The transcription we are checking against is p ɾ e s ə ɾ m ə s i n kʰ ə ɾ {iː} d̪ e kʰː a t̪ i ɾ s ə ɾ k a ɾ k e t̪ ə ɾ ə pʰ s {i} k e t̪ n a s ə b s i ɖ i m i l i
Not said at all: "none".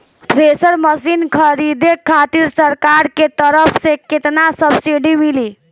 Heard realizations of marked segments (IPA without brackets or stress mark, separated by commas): i, e